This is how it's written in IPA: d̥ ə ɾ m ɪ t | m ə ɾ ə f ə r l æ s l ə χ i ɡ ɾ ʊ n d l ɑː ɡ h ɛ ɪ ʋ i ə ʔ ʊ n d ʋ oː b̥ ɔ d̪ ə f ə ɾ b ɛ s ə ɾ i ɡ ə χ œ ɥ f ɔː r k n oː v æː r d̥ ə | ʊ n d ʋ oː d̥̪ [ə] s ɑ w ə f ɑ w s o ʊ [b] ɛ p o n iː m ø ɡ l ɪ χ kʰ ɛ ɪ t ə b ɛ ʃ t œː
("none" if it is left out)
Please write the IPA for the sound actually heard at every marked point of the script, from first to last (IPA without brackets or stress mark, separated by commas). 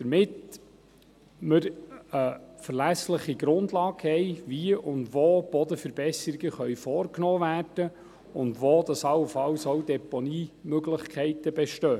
ɑ, d